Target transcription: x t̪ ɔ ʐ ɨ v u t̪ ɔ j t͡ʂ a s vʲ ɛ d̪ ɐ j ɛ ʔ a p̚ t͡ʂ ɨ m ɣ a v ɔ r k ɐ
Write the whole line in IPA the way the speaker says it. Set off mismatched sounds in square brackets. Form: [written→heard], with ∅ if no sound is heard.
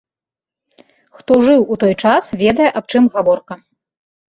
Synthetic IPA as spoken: x t̪ ɔ ʐ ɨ [v→w] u t̪ ɔ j t͡ʂ a s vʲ ɛ d̪ ɐ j ɛ ʔ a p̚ t͡ʂ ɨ m ɣ a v ɔ r k ɐ